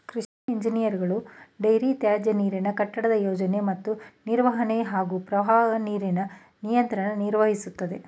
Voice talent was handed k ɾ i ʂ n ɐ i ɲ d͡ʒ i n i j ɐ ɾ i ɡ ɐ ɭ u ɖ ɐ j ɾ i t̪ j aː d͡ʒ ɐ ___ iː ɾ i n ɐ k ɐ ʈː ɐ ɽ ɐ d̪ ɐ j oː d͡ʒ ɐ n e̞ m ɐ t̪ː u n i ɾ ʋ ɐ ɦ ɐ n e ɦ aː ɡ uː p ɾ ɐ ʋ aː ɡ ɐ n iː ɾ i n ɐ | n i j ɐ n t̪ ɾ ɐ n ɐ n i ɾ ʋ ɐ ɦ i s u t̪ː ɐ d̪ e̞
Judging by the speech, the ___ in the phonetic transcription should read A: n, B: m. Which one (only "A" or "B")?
A